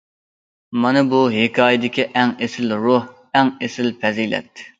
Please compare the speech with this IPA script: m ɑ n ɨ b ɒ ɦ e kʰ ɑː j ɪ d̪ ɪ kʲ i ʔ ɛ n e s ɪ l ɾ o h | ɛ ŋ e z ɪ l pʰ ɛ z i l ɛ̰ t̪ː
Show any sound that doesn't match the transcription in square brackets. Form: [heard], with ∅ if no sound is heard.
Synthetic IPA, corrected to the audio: m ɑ n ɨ b [u] ɦ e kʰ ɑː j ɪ d̪ ɪ kʲ i ʔ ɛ [ŋ] e s ɪ l ɾ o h | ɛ ŋ e [s] ɪ l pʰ ɛ z i l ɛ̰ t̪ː

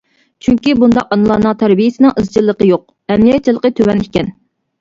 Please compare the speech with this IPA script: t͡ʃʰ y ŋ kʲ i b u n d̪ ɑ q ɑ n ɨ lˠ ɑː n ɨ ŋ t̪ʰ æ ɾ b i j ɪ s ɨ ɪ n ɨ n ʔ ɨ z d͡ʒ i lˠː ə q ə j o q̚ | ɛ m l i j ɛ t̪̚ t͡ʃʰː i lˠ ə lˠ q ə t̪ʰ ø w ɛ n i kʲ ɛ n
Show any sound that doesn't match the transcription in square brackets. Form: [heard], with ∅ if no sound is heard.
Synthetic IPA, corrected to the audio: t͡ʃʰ y ŋ kʲ i b u n d̪ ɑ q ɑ n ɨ lˠ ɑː n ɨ ŋ t̪ʰ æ ɾ b i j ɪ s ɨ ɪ n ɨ [ŋ] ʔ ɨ z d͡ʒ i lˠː ə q ə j o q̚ | ɛ m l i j ɛ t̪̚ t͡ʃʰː i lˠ ə [∅] q ə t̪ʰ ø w ɛ n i kʲ ɛ n

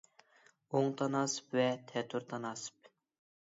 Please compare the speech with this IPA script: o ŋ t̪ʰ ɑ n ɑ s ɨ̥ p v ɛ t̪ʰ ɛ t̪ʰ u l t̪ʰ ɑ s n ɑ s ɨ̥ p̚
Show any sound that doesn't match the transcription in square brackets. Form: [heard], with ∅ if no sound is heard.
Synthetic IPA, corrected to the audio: o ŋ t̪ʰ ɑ n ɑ s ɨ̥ p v ɛ t̪ʰ ɛ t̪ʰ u [ɾ] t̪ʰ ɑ [∅] n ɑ s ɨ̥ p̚

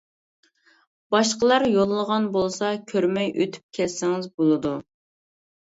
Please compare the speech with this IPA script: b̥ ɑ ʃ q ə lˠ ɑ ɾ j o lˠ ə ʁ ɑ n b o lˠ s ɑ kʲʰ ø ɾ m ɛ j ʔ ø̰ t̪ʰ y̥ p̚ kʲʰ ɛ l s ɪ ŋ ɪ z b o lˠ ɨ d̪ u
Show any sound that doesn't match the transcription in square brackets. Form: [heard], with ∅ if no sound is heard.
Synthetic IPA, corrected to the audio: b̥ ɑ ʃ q ə lˠ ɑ ɾ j o [lˠː] ə ʁ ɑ n b o lˠ s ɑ kʲʰ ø ɾ m ɛ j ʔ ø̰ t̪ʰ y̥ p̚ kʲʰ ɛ l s ɪ ŋ ɪ z b o lˠ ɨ d̪ u

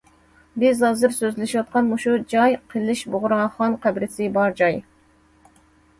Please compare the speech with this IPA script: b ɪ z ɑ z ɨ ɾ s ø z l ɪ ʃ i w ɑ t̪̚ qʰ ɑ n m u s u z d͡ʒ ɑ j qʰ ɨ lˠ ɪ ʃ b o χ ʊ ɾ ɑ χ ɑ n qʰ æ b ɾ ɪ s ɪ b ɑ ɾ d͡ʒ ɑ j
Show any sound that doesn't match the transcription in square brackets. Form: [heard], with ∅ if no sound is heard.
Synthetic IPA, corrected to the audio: b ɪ z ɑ z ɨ ɾ s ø z l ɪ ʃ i w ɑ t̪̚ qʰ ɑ n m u [ʃ] u [∅] d͡ʒ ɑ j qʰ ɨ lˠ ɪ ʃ b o [ʁ] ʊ ɾ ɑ χ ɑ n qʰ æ b ɾ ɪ s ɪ b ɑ ɾ d͡ʒ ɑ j

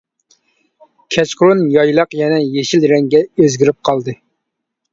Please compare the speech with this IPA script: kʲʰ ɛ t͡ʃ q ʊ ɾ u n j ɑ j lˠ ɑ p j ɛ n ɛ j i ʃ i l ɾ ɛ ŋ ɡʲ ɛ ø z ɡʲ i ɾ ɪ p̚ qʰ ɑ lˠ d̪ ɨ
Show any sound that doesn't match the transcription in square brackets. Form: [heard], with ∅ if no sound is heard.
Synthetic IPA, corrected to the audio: kʲʰ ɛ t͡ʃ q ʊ ɾ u n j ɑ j lˠ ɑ [q] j ɛ n ɛ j [e] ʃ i l ɾ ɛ ŋ ɡʲ ɛ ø z ɡʲ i ɾ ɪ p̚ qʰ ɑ lˠ d̪ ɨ

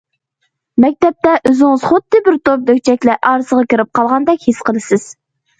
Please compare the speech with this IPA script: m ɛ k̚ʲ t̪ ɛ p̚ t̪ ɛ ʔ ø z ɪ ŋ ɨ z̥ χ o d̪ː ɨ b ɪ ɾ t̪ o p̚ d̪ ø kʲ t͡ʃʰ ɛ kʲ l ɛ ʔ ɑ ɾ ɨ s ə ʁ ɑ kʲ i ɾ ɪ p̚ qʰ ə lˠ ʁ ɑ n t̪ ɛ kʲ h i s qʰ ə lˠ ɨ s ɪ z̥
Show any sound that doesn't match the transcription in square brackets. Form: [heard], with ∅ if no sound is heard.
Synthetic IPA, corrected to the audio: m ɛ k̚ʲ t̪ ɛ p̚ t̪ ɛ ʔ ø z ɪ ŋ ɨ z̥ χ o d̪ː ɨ b ɪ ɾ t̪ o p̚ d̪ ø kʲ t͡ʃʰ ɛ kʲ l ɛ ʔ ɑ ɾ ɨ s ə ʁ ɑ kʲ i ɾ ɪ p̚ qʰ [ɑ] lˠ ʁ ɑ n [d̪] ɛ kʲ h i s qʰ ə lˠ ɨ s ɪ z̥

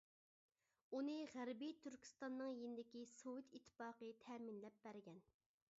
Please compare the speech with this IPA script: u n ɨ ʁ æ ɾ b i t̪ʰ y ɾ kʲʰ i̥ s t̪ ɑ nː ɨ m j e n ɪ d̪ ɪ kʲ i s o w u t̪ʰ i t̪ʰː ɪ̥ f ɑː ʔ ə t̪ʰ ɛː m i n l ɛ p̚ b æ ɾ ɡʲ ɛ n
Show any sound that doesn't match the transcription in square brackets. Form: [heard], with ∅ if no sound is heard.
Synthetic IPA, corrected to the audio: u n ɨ ʁ æ ɾ b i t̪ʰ y ɾ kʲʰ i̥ s t̪ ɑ nː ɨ [ŋ] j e n ɪ d̪ ɪ kʲ i s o w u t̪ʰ i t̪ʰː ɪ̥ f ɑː [q] ə t̪ʰ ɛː m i n l ɛ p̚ b æ ɾ ɡʲ ɛ n

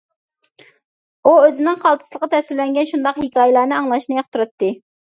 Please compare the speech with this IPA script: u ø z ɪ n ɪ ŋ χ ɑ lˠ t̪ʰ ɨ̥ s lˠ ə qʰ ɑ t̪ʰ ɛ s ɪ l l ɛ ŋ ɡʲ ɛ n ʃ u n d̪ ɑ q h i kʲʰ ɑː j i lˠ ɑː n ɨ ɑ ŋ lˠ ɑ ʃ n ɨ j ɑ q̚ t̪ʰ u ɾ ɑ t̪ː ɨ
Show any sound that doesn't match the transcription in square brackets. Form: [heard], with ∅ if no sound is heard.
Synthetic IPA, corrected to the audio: u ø z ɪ n ɪ ŋ χ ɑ lˠ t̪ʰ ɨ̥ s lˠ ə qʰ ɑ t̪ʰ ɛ s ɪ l l ɛ ŋ ɡʲ ɛ n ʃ u n d̪ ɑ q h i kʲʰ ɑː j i lˠ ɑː n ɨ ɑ ŋ lˠ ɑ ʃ n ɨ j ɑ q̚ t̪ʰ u ɾ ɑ t̪ː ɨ

